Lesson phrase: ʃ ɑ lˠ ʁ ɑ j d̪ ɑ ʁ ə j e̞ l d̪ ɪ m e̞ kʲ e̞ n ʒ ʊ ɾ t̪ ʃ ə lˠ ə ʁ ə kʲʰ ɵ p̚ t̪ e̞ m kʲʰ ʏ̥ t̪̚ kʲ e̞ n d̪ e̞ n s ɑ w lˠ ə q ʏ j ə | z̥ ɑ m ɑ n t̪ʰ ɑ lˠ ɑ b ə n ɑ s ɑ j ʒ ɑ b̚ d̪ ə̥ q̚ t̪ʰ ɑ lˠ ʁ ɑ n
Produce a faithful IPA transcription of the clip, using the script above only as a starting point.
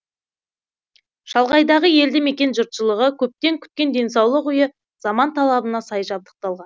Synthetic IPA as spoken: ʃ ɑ lˠ ʁ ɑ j d̪ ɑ ʁ ə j e̞ l d̪ ɪ m e̞ kʲ e̞ n ʒ ʊ ɾ t̪ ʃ ə lˠ ə ʁ ə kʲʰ ɵ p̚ t̪ e̞ ŋ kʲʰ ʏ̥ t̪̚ kʲ e̞ n d̪ e̞ n s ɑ w lˠ ə q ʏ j ə | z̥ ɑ m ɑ n t̪ʰ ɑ lˠ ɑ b ə n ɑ s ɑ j ʒ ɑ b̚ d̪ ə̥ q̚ t̪ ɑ lˠ ʁ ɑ n